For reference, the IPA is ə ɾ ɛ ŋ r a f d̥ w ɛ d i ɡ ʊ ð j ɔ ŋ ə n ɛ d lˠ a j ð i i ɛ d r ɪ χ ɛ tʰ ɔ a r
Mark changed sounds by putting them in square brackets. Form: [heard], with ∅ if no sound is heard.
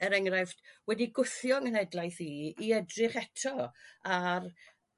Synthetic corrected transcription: ə ɾ ɛ ŋ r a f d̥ w ɛ d i ɡ ʊ [θ] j ɔ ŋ ə n ɛ d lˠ a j [θ] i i ɛ d r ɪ χ ɛ tʰ ɔ a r

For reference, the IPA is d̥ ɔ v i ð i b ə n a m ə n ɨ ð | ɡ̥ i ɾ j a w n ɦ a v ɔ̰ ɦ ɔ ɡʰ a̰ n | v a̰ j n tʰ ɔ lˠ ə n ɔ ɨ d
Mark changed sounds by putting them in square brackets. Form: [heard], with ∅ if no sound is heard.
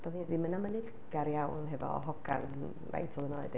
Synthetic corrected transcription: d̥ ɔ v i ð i [m] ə n a m ə n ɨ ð | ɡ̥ [a] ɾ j a w n ɦ [ɛ] v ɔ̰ ɦ ɔ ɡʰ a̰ n | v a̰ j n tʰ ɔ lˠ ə n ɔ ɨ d

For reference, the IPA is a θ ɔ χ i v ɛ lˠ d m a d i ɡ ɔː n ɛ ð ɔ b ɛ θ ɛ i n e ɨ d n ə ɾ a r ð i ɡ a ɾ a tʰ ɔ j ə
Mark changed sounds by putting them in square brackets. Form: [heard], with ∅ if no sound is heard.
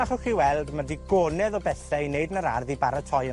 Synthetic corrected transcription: a [χ] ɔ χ i [w] ɛ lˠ d m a d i ɡ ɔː n ɛ ð ɔ b ɛ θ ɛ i n e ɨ d n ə ɾ a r ð i [b] a ɾ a tʰ ɔ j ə

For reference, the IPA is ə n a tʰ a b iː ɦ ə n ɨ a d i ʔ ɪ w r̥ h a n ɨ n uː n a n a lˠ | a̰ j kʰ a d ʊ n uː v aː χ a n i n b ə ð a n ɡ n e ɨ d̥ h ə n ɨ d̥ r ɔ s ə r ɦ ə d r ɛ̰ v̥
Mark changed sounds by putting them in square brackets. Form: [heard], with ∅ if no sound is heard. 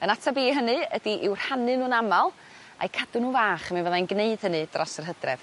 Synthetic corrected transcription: ə n a tʰ a b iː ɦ ə n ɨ [ə] d i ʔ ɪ w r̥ h a n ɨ n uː n a [m] a lˠ | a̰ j kʰ a d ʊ n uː v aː χ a [m] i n [v] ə ð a n ɡ n e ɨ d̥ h ə n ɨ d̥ r ɔ s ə r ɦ ə d r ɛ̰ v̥

